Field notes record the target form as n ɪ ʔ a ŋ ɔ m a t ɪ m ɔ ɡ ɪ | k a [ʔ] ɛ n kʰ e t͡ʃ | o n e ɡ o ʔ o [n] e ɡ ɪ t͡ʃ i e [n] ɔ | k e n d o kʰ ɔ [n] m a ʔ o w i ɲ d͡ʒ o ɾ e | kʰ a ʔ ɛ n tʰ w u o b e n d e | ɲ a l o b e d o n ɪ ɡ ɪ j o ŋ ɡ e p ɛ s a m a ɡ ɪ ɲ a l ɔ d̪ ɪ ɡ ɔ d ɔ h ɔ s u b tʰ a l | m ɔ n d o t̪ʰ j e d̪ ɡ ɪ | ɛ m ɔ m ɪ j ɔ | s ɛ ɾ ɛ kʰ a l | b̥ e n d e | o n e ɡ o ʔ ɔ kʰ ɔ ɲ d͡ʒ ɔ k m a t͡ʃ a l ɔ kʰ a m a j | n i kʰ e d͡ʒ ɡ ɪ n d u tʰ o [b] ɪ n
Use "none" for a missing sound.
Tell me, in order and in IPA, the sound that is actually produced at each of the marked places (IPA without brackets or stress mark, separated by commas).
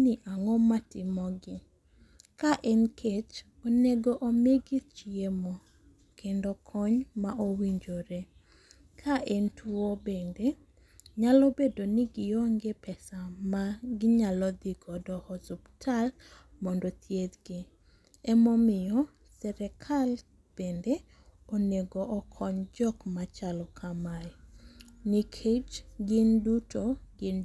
ʔ, m, m, ɲ, ɡ